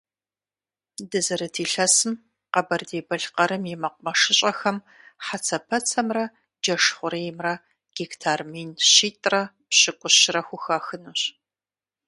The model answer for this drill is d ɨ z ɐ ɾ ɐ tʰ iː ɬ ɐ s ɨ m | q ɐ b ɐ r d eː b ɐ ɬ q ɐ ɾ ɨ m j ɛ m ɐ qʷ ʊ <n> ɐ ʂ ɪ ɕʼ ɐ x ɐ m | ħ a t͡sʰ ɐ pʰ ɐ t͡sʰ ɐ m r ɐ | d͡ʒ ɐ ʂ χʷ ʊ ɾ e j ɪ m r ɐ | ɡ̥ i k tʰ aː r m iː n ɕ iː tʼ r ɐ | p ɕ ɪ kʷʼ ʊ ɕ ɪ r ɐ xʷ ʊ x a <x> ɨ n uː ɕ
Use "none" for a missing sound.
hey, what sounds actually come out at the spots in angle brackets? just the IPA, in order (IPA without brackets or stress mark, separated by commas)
m, x